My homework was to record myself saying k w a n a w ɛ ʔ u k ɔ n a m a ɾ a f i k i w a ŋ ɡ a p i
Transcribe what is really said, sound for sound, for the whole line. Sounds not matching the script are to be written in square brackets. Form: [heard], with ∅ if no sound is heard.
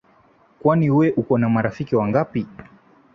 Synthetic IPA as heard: k w a n [i] w ɛ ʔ u k ɔ n a m a ɾ a f i k i w a ŋ ɡ a p i